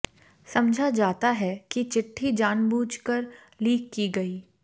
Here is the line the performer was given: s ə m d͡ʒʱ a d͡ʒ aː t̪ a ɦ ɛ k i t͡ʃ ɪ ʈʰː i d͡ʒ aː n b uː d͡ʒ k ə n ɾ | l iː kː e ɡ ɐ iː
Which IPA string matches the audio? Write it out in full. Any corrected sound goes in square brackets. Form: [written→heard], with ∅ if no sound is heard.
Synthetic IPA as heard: s [ə→ɐ] m d͡ʒʱ a d͡ʒ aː t̪ a ɦ ɛ k i t͡ʃ ɪ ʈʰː i d͡ʒ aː n b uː d͡ʒ k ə [n→∅] ɾ | l iː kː [e→i] ɡ ɐ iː